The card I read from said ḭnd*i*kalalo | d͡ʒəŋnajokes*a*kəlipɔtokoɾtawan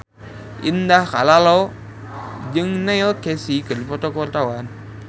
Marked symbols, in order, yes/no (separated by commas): no, no